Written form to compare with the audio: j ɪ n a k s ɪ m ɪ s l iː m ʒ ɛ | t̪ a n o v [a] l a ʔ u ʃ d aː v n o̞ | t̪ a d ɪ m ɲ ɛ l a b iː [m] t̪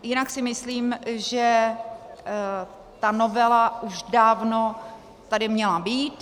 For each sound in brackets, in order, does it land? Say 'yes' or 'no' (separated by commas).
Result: no, no